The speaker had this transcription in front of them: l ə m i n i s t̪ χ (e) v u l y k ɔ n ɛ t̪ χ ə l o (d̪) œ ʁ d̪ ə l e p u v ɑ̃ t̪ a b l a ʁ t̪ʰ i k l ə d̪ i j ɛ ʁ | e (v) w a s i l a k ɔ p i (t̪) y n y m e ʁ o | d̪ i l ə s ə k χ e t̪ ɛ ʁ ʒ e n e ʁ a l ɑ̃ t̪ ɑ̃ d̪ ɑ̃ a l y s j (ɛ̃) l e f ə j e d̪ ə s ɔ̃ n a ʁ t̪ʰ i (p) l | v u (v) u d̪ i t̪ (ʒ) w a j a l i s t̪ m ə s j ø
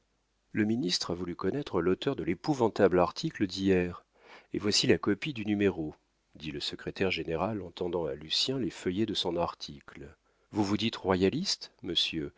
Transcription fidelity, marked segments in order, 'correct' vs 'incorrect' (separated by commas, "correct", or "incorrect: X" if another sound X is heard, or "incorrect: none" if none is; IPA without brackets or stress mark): incorrect: a, incorrect: t̪, correct, incorrect: d̪, correct, incorrect: k, correct, incorrect: ʁ